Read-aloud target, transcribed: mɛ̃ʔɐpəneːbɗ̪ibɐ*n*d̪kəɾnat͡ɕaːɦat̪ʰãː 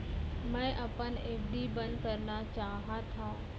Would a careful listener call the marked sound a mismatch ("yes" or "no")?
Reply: no